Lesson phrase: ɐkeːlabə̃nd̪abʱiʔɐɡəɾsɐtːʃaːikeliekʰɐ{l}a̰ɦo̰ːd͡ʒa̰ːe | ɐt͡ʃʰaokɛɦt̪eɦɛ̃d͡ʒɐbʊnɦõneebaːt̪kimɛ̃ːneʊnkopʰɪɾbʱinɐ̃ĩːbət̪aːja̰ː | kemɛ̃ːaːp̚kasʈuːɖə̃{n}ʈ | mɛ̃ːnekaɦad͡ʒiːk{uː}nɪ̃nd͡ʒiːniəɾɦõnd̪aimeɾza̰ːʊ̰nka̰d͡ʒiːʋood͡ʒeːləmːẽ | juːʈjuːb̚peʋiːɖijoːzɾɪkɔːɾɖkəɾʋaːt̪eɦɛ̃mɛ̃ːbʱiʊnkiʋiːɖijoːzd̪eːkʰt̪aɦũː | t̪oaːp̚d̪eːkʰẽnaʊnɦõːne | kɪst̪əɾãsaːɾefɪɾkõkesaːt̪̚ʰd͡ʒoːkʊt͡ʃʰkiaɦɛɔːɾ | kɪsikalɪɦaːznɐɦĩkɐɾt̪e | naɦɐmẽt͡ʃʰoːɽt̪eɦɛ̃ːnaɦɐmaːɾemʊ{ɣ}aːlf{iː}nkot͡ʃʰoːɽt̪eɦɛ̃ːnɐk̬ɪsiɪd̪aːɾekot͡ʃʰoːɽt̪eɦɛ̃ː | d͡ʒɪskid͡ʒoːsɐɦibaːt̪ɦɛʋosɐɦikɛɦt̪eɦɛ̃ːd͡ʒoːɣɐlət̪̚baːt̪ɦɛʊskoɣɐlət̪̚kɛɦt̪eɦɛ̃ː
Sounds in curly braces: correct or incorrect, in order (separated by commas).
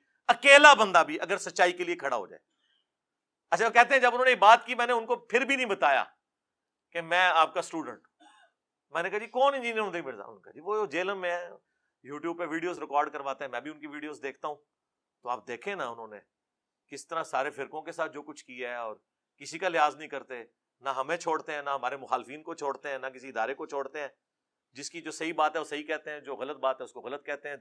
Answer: incorrect, incorrect, incorrect, incorrect, correct